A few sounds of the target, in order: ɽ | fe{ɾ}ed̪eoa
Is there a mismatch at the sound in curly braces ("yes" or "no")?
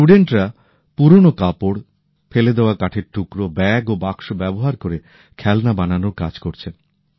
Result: yes